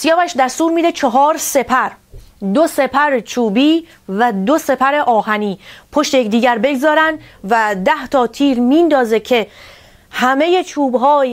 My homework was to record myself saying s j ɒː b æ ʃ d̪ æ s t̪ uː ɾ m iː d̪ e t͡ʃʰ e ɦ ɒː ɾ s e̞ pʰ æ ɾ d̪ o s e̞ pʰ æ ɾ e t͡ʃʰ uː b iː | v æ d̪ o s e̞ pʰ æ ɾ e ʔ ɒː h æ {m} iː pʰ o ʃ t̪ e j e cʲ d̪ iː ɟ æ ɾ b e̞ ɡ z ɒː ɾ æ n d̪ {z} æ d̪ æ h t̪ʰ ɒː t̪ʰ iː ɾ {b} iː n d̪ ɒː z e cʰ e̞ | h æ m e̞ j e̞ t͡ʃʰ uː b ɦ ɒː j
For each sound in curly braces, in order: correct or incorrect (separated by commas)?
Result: incorrect, incorrect, incorrect